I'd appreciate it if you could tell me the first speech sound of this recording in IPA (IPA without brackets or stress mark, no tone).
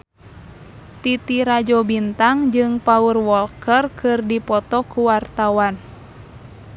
t̪